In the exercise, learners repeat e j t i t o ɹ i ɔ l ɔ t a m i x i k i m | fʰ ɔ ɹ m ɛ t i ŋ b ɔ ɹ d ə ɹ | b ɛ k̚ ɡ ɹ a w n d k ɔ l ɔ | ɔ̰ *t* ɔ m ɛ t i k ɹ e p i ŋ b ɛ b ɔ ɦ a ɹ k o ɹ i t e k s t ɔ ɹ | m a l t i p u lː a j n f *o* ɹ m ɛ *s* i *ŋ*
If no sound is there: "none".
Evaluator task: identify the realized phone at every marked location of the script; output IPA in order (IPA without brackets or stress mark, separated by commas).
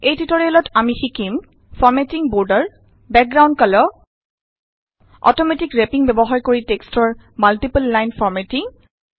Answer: t, ɔ, t, ŋ